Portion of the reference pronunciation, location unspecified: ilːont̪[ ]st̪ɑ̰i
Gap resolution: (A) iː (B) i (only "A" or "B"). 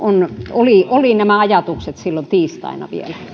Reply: A